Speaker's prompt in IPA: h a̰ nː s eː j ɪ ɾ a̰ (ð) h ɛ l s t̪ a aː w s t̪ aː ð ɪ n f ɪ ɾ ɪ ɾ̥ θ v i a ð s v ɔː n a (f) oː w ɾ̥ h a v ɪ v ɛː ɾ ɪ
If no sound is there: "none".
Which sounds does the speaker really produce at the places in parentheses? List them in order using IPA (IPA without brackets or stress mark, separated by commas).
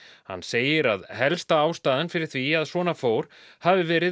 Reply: ð, f